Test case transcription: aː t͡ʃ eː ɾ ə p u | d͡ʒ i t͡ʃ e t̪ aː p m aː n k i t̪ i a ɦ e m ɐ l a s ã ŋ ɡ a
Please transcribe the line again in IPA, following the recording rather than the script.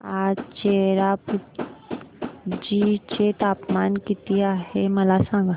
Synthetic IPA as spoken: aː t͡ʃ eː ɾ a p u | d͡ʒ i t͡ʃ e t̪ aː p m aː n k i t̪ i a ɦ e m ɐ l a s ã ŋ ɡ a